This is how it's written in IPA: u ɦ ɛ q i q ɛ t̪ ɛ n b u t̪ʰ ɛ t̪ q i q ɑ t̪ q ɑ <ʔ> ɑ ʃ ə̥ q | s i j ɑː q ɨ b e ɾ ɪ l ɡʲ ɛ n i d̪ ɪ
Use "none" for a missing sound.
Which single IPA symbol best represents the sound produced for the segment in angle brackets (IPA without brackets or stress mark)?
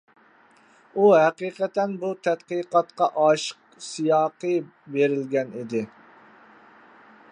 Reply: ʔ